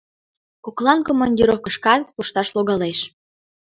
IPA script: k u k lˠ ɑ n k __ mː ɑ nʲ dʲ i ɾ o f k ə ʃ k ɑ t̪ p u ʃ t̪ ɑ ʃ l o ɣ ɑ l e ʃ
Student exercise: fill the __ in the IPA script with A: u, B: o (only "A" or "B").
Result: B